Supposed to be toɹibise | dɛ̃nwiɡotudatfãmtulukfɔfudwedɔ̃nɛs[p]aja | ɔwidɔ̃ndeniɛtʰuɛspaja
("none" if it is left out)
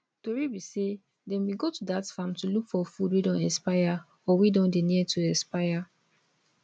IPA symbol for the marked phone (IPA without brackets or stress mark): p